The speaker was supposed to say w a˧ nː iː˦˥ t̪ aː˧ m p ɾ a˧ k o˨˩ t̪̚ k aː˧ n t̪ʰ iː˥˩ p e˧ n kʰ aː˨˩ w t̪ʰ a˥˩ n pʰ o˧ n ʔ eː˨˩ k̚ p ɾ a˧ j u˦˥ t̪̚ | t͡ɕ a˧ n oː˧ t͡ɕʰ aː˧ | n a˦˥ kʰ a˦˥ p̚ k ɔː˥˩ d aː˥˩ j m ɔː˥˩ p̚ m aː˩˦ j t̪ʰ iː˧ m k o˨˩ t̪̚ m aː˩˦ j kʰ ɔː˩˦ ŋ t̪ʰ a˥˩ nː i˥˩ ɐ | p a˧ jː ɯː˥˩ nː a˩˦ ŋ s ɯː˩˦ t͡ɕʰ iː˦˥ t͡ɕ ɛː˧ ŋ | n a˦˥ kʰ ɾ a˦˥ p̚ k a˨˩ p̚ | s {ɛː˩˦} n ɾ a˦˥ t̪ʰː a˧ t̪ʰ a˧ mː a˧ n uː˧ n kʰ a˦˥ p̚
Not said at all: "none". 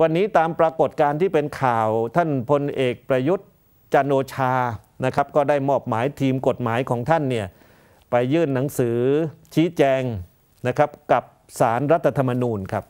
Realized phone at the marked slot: aː˩˦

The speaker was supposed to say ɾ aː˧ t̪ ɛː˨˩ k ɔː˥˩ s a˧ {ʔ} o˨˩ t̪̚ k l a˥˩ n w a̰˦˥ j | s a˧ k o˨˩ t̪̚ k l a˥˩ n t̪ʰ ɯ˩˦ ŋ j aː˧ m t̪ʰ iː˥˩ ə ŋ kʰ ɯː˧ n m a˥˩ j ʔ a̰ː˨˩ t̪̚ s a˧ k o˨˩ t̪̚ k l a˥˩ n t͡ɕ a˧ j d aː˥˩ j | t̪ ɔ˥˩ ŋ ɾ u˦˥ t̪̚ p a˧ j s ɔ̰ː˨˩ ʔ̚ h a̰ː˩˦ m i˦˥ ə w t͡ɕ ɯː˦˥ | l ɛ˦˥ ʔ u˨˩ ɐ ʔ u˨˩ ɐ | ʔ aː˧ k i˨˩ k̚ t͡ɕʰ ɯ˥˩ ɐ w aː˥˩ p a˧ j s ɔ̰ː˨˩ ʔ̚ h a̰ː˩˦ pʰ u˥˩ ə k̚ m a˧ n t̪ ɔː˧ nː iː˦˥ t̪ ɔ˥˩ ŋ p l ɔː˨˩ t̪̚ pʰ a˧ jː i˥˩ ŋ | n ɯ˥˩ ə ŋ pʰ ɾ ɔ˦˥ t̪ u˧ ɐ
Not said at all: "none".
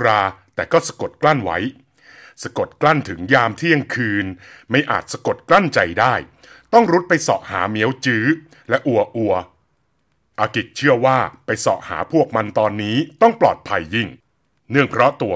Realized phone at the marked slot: k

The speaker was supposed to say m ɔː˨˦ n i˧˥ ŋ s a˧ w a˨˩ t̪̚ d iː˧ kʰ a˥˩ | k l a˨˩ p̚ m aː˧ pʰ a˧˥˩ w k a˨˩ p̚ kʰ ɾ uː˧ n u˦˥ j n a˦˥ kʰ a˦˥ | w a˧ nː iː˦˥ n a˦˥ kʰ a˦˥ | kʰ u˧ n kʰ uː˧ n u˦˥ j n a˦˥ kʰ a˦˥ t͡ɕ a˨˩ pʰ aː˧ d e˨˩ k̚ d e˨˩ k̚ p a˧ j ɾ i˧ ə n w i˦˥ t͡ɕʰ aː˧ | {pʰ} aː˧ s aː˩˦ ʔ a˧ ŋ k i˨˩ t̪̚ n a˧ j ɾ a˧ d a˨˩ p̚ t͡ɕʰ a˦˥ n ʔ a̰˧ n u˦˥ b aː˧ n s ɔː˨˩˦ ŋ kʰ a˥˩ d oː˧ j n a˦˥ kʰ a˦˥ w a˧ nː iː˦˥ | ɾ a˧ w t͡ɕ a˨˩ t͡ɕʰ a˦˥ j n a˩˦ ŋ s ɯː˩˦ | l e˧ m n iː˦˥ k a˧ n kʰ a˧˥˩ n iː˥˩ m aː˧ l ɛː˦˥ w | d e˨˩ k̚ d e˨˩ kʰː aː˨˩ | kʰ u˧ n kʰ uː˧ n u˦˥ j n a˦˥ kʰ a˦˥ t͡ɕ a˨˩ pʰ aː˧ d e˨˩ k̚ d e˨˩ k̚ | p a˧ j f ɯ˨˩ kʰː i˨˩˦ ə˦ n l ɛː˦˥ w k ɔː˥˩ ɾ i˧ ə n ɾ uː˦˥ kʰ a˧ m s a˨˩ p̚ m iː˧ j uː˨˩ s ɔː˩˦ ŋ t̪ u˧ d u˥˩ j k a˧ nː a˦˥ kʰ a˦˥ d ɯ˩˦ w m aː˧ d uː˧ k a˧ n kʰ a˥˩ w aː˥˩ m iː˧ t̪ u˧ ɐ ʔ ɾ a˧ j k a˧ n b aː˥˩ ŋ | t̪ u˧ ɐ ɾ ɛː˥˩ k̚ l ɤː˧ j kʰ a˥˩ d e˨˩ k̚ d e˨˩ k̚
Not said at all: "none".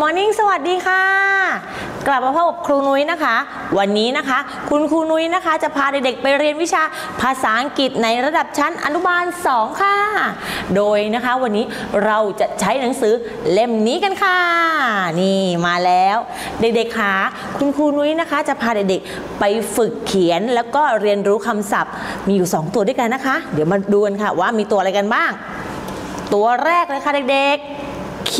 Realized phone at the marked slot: pʰ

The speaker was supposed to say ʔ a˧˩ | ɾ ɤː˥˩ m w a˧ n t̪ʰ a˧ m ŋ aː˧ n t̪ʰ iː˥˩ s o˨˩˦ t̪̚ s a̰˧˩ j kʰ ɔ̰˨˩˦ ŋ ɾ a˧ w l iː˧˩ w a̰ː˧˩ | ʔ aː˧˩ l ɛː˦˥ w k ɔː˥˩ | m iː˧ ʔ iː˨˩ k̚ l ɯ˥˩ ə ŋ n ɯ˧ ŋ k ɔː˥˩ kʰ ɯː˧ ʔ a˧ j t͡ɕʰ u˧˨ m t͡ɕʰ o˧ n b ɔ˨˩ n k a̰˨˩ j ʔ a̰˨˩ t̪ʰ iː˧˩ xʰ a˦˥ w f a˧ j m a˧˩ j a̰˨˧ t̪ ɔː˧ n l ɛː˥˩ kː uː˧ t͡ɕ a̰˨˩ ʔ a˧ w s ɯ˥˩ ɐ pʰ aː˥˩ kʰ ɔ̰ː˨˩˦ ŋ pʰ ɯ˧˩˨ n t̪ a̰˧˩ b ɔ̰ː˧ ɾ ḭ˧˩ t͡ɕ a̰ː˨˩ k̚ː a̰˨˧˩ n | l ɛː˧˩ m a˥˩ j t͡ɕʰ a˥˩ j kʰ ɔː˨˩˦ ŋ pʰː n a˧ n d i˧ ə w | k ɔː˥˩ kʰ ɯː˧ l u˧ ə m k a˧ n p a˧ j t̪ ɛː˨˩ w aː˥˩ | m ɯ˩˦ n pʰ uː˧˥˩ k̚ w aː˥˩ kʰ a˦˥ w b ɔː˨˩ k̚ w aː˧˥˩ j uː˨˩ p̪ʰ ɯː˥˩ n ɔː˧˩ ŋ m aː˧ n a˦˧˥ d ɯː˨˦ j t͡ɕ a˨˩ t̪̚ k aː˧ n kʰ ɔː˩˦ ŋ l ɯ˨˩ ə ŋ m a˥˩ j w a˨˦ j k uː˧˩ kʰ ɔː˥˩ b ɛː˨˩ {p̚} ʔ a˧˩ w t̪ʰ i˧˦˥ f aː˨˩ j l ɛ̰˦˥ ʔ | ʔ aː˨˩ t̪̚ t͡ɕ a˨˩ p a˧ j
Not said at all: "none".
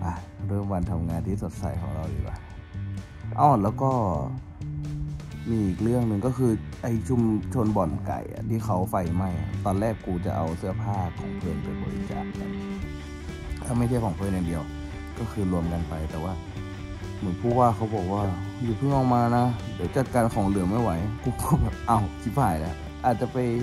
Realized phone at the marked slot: p̚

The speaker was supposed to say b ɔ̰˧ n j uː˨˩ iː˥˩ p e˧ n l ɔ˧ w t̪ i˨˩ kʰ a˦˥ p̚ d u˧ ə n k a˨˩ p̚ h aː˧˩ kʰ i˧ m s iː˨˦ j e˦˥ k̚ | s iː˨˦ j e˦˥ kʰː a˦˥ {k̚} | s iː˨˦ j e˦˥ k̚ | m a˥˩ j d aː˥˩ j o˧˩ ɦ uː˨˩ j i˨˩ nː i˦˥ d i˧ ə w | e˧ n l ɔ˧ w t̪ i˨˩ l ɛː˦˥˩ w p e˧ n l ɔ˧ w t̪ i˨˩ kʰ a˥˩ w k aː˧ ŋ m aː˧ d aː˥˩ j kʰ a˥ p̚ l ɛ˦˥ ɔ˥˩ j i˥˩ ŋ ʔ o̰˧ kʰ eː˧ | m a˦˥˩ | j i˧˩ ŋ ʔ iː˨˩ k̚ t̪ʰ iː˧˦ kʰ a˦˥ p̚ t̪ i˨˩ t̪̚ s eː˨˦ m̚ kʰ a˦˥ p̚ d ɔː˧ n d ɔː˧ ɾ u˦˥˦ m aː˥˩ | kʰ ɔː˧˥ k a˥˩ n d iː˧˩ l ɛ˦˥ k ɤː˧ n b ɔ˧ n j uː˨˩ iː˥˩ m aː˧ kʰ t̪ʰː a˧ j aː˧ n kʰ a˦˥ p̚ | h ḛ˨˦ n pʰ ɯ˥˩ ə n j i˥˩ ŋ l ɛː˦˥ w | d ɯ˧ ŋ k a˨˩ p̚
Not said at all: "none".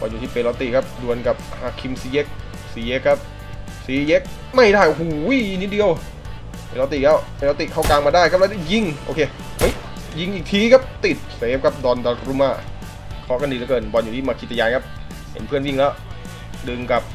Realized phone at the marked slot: p̚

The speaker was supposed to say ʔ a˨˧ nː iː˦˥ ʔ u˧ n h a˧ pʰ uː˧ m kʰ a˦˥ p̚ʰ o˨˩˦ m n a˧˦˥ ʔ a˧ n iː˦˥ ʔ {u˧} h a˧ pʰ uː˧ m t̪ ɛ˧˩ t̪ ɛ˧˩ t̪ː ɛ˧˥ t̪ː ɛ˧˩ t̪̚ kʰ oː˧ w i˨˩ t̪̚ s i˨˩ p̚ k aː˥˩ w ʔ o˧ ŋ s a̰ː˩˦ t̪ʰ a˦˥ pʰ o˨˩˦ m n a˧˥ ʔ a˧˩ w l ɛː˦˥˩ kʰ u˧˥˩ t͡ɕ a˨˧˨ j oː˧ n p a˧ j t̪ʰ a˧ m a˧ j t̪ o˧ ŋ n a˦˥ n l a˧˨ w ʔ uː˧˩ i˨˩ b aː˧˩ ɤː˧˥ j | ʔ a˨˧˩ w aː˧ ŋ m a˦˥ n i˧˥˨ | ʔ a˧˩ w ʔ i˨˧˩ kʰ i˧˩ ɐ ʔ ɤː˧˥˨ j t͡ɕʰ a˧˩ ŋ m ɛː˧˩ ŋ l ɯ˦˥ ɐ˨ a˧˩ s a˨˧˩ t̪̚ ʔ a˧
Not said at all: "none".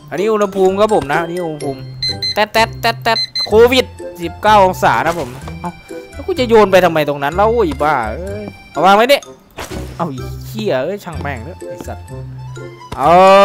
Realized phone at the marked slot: u˧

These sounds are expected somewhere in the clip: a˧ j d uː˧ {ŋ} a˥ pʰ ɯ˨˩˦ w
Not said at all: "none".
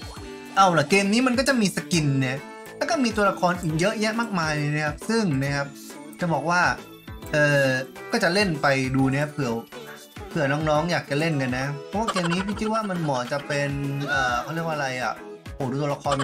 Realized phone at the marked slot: n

